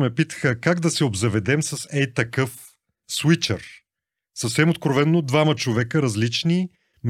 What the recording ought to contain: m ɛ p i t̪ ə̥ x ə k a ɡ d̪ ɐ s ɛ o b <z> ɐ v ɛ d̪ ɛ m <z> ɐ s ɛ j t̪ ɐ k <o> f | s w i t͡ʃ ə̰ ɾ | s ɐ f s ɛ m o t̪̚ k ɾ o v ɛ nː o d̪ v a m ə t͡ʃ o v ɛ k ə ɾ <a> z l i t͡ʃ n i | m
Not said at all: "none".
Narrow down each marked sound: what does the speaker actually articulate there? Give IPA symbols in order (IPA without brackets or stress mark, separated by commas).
z, s, ɤ, ɐ